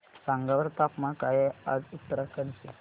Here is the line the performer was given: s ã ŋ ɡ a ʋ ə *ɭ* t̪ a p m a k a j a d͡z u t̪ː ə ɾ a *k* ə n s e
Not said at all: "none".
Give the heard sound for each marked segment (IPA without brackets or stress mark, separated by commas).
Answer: ɾ, k